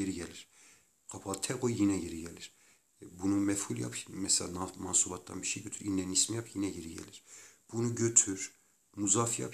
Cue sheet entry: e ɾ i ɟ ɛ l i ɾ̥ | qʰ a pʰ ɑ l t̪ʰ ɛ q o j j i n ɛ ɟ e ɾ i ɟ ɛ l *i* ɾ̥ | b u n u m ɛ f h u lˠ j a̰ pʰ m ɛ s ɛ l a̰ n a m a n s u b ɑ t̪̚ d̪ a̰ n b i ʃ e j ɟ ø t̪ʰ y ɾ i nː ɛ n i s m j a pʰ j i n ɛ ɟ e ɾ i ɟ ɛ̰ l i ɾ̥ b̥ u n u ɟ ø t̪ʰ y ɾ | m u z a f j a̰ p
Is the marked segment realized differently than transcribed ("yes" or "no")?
no